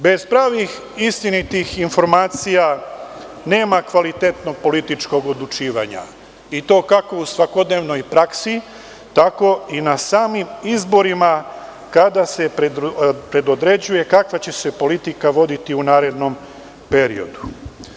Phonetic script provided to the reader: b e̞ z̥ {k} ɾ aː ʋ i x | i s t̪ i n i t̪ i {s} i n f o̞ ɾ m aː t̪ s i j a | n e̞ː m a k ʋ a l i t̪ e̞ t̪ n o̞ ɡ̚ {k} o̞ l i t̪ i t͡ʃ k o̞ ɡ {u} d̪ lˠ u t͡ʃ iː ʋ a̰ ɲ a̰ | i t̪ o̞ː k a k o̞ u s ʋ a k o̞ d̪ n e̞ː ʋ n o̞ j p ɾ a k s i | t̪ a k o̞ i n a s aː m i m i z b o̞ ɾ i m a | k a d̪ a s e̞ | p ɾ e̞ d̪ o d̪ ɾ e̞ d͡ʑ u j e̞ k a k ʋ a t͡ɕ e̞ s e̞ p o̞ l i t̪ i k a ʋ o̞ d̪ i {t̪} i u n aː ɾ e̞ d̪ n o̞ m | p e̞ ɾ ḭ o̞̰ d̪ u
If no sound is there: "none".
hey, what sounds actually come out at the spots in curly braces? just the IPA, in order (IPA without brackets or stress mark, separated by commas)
p, x, p, o, t̪